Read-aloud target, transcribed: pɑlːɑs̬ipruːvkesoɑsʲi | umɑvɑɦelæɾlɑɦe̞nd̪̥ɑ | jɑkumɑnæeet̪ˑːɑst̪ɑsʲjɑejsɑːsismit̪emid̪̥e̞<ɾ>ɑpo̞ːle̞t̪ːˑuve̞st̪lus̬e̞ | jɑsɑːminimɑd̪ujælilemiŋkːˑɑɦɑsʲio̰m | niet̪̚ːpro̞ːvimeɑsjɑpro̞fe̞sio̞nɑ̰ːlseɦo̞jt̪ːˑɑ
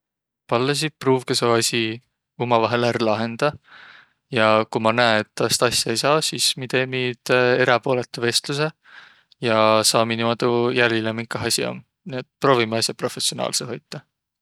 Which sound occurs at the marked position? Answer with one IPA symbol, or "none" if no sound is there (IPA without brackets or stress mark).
ɾ